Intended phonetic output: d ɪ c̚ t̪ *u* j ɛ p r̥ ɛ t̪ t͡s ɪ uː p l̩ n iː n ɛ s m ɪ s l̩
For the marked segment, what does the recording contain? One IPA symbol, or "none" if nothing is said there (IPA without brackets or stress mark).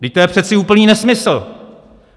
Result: o